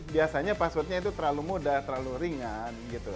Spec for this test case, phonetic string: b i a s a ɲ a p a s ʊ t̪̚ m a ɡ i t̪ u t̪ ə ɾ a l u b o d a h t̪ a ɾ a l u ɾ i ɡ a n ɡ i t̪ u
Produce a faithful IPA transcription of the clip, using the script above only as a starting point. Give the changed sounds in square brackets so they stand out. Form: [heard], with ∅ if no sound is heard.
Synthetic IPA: b i a s a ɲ a p a s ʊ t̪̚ [ɲ] a [∅] i t̪ u t̪ ə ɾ a l u [m] o d a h t̪ [ə] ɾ a l u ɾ i [ŋ] a n ɡ i t̪ u